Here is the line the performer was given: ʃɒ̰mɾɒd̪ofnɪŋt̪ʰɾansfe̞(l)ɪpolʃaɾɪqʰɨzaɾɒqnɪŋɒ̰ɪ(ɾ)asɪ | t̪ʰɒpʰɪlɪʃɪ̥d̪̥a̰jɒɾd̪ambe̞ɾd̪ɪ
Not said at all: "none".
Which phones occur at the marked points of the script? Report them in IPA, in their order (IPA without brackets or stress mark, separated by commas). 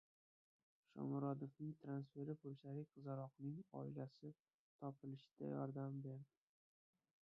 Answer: ɾ, l